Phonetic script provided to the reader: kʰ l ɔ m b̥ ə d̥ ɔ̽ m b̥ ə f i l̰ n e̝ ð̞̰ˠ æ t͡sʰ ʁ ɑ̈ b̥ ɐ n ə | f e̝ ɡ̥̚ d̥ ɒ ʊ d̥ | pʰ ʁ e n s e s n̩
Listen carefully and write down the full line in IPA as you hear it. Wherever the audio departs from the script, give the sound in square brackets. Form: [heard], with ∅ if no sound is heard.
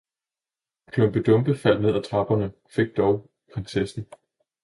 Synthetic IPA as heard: kʰ l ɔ m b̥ ə d̥ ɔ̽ m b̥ ə f [æ] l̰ n e̝ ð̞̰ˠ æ t͡sʰ ʁ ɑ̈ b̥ ɐ n ə | f e̝ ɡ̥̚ d̥ ɒ ʊ [∅] | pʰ ʁ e n s e s n̩

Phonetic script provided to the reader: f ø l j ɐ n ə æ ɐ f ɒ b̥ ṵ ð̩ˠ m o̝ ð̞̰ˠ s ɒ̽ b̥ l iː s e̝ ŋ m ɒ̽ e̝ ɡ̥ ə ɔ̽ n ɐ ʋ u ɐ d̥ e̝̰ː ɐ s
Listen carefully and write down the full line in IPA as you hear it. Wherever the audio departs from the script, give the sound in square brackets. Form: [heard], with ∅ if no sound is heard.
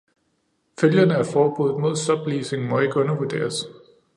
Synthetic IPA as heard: f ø l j ɐ n ə æ ɐ f [ɒː] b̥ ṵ ð̩ˠ m o̝ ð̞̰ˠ s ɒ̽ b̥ l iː s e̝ ŋ m ɒ̽ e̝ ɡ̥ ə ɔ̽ n ɐ ʋ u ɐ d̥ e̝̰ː ɐ s

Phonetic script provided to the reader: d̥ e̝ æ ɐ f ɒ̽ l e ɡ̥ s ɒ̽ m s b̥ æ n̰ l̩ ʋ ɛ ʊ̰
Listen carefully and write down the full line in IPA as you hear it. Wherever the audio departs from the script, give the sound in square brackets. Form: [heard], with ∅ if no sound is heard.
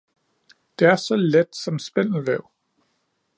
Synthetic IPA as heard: d̥ e̝ æ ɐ [s] ɒ̽ l e [d̥] s ɒ̽ m s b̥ [e] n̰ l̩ ʋ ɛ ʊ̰

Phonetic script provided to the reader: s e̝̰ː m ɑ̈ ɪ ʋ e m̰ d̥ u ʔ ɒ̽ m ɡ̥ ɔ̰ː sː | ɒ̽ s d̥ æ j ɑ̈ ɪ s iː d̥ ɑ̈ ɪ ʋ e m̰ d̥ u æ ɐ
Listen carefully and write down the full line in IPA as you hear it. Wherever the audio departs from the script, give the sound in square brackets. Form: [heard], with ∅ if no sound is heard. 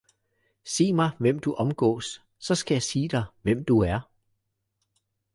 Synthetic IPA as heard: s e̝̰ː m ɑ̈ ɪ ʋ e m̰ d̥ u ʔ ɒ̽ m ɡ̥ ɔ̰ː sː | ɒ̽ s [ɡ̥] æ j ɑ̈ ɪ s iː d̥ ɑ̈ ɪ ʋ e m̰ d̥ u æ ɐ

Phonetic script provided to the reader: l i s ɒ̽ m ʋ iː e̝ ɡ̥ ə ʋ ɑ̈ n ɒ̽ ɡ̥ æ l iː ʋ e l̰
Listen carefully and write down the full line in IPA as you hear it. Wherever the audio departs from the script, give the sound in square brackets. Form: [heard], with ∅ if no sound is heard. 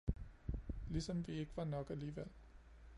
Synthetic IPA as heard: l i s ɒ̽ m ʋ [i] e̝ ɡ̥ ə ʋ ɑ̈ n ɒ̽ ɡ̥ æ l iː ʋ e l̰

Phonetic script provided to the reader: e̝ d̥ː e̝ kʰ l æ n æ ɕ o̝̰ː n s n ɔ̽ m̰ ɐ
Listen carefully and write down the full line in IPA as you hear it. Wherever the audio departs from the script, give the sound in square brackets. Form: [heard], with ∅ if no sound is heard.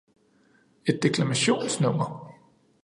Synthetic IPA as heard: e̝ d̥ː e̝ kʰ l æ [m] æ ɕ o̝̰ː n s n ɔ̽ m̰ ɐ

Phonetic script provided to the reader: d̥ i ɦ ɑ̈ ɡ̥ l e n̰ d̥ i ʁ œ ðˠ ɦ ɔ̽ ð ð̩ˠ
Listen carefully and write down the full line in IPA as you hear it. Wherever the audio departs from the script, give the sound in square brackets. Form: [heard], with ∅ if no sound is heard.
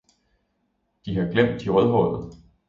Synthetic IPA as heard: d̥ i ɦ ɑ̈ ɡ̥ l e [m̰] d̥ i ʁ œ ðˠ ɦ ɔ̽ ð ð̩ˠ

